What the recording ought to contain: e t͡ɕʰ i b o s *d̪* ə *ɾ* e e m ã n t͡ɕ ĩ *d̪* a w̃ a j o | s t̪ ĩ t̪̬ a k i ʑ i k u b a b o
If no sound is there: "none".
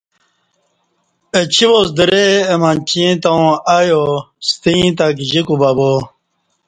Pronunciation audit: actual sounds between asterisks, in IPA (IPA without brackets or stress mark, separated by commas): d̪, ɾ, t̪